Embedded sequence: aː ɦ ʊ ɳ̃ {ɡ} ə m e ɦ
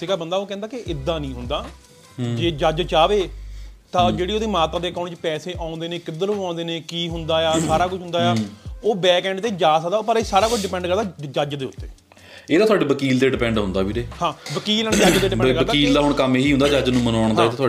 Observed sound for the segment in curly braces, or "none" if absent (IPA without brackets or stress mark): k